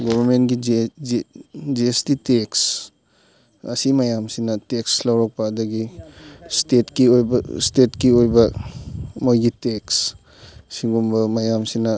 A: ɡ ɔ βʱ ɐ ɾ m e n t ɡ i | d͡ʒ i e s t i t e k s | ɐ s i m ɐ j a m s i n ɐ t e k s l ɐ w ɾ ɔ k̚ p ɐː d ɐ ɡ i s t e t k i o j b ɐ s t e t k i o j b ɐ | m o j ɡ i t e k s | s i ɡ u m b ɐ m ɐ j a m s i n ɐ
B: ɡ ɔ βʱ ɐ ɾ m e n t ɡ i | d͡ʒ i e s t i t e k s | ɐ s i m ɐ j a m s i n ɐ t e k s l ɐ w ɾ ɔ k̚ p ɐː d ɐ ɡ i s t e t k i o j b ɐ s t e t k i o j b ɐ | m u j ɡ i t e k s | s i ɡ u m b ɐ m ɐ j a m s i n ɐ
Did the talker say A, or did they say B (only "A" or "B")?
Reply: A